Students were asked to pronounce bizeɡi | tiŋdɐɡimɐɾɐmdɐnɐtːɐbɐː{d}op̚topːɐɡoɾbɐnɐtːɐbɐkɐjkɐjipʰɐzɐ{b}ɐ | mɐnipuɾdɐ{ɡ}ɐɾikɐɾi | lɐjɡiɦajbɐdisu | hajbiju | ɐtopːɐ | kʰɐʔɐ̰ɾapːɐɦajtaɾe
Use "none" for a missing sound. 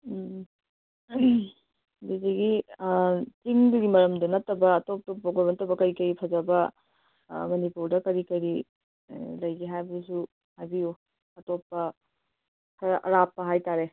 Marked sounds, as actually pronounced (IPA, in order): t, b, k

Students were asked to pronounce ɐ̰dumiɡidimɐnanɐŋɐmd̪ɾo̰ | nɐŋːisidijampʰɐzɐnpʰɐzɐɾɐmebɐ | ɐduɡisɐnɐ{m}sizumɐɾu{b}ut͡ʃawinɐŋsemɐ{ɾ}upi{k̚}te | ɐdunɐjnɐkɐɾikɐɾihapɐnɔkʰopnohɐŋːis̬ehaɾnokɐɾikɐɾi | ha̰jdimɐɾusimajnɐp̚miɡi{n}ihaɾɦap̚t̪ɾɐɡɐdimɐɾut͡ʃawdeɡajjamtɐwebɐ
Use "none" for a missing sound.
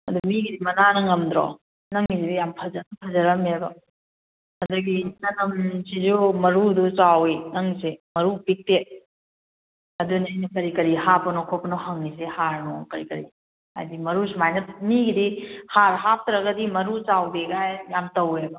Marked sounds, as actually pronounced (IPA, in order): m, d, ɾ, k̚, d

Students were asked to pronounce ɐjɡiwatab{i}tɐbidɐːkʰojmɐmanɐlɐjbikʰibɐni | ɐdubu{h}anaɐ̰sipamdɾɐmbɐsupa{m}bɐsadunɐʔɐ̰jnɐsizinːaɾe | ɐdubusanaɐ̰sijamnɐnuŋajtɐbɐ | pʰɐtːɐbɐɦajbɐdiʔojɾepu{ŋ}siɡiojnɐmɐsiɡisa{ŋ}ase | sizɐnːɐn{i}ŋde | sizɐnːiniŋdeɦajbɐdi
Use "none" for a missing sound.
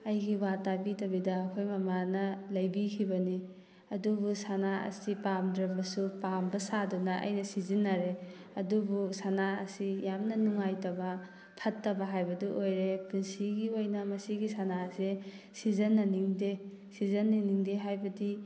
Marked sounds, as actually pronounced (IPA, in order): i, s, m, n, n, i

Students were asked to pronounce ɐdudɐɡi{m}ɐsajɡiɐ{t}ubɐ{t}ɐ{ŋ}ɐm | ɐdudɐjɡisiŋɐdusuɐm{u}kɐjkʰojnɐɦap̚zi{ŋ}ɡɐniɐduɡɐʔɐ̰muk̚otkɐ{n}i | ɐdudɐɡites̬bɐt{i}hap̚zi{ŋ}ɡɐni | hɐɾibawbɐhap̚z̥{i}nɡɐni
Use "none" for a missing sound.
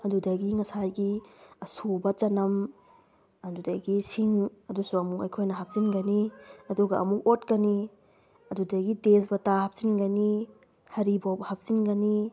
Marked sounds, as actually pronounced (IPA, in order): ŋ, s, t͡ʃ, n, u, n, n, a, n, i

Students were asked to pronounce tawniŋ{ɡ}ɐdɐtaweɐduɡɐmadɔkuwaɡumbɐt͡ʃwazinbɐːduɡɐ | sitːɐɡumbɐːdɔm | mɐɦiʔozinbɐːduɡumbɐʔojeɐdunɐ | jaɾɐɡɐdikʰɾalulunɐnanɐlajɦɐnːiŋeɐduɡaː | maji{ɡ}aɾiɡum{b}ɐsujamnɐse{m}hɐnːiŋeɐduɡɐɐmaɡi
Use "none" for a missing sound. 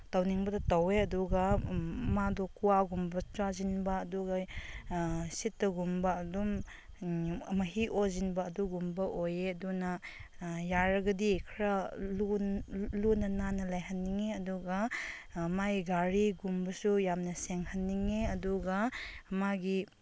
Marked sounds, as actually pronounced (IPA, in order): b, ɡ, b, ŋ

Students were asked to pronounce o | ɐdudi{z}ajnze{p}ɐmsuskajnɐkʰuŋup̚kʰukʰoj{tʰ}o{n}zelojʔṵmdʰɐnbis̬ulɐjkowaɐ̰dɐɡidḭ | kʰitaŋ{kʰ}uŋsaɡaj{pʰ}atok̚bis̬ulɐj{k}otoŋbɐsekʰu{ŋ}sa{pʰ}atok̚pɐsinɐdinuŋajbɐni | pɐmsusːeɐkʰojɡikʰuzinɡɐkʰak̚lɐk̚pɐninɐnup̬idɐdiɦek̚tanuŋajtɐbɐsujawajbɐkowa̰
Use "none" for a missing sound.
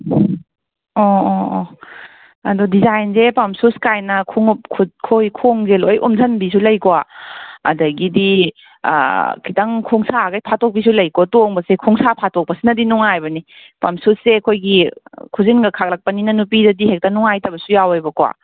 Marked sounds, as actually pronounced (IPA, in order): z, p, kʰ, ŋ, kʰ, pʰ, k, ŋ, pʰ

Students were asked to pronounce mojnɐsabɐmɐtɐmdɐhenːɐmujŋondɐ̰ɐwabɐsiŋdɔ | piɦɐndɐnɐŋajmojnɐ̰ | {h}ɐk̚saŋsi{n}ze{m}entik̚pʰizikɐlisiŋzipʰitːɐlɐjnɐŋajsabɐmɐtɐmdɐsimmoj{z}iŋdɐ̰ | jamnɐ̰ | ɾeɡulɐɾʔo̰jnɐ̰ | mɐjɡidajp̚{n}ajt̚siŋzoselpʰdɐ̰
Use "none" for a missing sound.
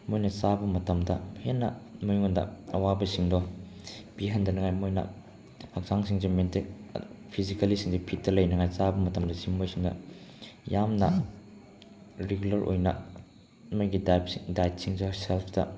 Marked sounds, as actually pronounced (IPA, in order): h, ŋ, m, s, d

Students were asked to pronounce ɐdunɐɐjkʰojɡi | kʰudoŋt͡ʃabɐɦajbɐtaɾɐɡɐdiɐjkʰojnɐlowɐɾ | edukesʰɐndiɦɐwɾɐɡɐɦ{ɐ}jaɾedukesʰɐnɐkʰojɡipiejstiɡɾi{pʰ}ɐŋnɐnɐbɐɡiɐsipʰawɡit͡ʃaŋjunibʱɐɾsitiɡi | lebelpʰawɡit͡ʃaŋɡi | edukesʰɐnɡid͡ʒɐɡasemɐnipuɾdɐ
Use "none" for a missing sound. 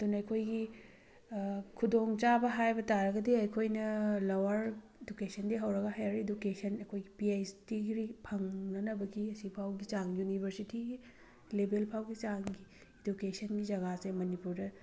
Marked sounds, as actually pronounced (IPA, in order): a, pʰ

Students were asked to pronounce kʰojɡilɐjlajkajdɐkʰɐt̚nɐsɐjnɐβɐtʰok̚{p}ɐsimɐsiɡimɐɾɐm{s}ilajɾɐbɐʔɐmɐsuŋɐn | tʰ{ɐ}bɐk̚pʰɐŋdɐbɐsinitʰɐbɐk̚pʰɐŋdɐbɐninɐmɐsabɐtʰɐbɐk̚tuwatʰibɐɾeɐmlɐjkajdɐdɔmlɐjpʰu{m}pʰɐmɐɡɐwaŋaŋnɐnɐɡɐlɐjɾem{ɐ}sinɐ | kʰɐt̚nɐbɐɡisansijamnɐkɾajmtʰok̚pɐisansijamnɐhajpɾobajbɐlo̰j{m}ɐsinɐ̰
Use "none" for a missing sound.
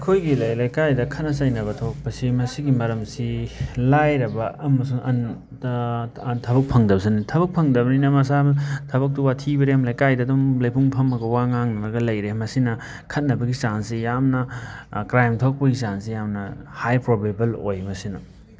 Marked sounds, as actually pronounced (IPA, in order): p, s, ɐ, ŋ, ɐ, m

